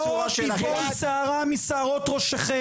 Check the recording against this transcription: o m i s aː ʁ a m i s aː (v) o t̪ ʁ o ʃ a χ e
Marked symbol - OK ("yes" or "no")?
no